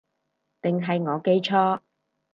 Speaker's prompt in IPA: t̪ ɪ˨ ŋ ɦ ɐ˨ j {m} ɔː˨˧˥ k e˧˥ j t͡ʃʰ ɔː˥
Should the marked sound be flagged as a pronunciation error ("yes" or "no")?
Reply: yes